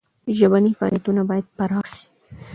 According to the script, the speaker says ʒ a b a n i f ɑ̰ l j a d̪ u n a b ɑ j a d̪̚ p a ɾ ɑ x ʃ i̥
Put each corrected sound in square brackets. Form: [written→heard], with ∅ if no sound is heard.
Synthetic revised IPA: ʒ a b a n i f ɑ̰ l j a [d̪→t̪] u n a b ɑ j a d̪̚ p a ɾ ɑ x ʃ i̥